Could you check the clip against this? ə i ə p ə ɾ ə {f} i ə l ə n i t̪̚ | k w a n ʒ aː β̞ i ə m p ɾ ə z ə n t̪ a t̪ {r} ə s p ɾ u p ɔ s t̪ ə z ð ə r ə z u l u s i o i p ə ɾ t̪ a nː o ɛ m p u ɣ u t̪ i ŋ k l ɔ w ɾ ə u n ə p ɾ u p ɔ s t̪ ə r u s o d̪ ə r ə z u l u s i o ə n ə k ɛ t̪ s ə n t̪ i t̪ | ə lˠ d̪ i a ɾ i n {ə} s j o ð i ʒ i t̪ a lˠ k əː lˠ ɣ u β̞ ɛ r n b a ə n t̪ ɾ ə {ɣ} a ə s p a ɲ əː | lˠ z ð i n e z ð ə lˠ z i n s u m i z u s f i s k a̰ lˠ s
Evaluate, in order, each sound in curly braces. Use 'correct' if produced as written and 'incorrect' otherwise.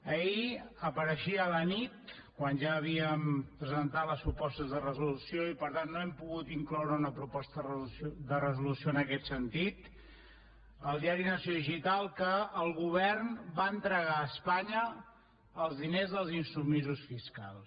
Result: incorrect, incorrect, correct, correct

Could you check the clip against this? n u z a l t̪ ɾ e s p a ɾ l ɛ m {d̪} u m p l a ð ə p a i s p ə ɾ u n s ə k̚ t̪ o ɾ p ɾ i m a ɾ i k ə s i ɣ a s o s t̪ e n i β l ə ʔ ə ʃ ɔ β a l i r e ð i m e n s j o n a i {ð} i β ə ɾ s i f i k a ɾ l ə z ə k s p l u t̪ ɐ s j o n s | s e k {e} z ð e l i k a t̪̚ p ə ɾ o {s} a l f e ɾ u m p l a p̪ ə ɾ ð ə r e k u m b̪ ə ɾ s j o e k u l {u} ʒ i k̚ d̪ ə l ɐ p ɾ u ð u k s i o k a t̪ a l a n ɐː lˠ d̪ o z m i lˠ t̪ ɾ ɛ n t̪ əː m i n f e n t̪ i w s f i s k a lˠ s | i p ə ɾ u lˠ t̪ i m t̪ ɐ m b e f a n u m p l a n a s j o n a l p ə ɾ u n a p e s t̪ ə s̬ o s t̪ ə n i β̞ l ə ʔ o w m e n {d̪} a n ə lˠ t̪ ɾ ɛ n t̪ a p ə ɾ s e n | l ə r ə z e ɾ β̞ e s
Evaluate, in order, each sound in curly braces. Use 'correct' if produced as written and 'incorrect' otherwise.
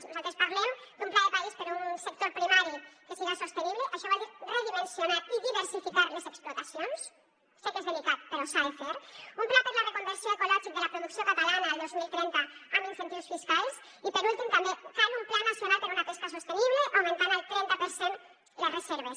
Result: correct, correct, correct, correct, incorrect, incorrect

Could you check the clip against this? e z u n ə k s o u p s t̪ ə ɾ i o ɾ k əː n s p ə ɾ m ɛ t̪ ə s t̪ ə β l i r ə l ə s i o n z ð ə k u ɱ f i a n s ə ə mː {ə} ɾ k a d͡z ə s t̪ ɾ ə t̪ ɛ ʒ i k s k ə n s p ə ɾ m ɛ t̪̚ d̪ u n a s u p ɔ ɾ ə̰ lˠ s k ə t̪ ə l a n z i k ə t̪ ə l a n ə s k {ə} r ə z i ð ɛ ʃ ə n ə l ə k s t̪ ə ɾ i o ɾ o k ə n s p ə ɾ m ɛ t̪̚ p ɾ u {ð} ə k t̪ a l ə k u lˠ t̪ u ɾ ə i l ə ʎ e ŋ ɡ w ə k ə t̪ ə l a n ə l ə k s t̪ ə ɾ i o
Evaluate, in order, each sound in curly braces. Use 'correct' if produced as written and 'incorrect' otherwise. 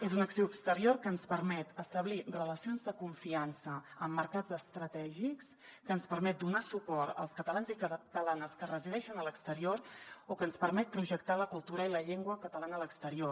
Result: correct, correct, incorrect

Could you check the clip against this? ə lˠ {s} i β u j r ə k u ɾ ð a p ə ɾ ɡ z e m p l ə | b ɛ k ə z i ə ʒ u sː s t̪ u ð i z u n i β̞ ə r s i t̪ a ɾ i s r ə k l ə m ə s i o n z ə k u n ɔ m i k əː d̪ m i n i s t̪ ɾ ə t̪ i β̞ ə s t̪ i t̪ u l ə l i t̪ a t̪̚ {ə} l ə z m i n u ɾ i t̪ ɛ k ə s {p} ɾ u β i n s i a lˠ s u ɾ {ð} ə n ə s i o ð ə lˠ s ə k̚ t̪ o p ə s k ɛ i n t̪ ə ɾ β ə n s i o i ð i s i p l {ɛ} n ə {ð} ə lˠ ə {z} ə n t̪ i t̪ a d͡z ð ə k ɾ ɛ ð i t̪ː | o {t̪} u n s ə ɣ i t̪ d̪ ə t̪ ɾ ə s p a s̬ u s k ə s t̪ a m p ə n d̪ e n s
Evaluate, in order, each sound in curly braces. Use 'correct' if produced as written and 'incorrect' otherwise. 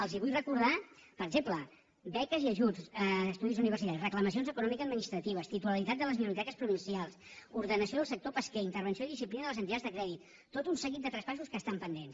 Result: incorrect, correct, correct, correct, incorrect, correct, correct, correct

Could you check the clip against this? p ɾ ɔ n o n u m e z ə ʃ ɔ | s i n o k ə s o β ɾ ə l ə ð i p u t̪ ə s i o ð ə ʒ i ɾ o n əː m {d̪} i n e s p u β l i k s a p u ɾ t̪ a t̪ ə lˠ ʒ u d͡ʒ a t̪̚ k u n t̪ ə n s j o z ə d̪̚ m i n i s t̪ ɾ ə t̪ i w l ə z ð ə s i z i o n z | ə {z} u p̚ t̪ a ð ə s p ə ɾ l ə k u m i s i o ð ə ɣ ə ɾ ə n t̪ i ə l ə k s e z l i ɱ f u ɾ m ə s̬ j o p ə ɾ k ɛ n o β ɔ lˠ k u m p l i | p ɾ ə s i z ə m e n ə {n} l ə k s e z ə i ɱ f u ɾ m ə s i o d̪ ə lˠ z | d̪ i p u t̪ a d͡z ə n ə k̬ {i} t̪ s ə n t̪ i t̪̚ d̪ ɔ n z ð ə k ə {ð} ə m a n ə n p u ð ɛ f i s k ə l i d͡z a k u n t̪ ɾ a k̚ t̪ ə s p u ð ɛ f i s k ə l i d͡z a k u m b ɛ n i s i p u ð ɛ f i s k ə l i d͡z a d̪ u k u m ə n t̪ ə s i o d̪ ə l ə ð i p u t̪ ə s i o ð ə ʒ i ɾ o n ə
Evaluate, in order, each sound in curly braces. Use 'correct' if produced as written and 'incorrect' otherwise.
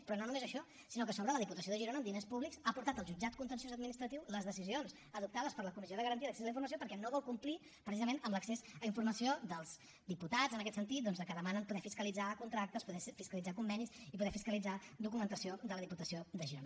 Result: correct, incorrect, incorrect, incorrect, correct

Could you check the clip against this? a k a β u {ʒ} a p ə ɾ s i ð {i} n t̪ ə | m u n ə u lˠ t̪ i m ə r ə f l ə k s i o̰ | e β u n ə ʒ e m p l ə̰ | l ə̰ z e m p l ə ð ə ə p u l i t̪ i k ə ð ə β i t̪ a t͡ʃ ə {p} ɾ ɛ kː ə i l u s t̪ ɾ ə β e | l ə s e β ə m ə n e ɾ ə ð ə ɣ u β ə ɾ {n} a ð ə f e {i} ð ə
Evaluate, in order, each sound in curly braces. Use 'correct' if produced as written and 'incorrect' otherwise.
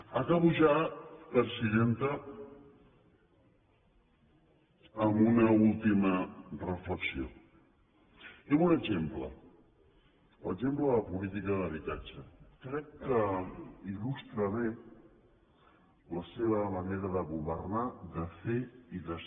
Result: correct, incorrect, incorrect, correct, correct

